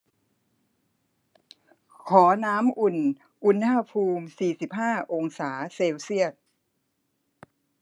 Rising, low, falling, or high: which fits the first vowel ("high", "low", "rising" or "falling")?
rising